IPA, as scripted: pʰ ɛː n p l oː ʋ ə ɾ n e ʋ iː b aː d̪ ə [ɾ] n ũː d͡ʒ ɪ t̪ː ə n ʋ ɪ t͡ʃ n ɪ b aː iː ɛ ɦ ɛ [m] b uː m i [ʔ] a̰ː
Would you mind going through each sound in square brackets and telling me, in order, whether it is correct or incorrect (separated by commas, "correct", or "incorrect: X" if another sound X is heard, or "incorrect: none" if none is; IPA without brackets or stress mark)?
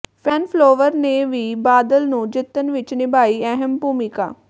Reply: incorrect: l, correct, incorrect: k